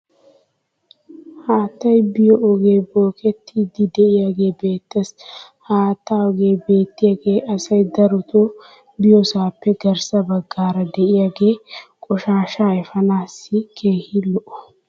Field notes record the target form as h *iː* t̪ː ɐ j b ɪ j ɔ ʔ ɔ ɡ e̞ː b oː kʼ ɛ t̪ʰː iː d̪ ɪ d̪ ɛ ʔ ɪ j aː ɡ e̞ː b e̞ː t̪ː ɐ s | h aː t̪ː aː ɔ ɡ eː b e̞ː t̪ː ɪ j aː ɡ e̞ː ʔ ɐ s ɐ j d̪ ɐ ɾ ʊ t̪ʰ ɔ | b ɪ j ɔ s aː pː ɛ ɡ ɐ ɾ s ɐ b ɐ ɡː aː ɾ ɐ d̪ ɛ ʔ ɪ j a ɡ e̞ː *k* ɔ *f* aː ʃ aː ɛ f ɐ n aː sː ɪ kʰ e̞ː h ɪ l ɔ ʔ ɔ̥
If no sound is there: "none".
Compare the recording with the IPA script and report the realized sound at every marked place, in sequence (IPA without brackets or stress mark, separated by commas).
aː, kʼ, ʃ